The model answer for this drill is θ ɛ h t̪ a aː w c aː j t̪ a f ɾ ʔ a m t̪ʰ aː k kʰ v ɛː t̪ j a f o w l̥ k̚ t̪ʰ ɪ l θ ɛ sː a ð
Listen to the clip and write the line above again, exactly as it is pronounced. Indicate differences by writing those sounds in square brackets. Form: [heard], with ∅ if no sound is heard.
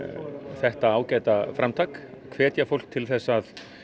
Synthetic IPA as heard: θ ɛ h t̪ a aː w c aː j t̪ a f ɾ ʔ a m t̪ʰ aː k kʰ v ɛː t̪ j a f o w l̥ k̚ t̪ʰ ɪ l θ ɛ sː a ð